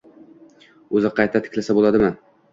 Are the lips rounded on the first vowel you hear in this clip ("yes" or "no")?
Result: yes